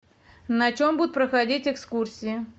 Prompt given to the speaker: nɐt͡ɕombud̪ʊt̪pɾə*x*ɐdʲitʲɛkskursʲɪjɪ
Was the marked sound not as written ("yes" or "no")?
no